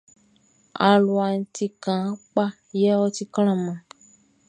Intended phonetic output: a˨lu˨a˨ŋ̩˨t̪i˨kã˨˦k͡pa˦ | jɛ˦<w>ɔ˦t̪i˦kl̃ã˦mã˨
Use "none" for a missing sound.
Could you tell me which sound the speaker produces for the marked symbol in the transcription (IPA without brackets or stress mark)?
w